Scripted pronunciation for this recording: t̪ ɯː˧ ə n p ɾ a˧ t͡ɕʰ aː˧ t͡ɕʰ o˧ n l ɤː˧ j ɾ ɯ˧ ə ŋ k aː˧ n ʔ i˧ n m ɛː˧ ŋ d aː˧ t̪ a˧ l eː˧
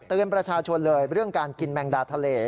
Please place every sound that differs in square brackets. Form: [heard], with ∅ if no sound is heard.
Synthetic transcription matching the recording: t̪ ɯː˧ ə n p ɾ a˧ t͡ɕʰ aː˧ t͡ɕʰ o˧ n l ɤː˧ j ɾ [ɯ˥˩] ə ŋ k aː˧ n [k] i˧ n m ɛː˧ ŋ d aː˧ [t̪ʰ] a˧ l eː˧